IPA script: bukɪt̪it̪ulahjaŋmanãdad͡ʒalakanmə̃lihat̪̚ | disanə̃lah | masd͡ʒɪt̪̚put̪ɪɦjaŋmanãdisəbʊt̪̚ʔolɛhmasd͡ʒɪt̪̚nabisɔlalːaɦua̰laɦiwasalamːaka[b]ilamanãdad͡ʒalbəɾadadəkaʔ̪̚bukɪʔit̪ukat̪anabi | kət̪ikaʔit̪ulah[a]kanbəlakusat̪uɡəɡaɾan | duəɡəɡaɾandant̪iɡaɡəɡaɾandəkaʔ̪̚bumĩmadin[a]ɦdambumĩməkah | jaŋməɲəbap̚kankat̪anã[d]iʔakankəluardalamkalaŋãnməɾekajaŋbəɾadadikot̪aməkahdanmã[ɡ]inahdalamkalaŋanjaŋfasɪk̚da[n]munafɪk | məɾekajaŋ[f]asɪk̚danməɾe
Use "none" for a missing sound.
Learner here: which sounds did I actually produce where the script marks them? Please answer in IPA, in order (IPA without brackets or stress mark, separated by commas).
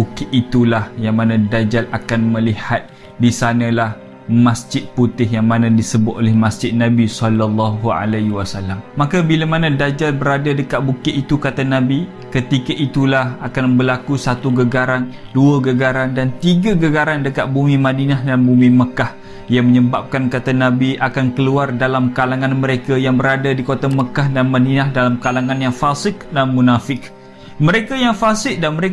b, a, a, b, d, n, f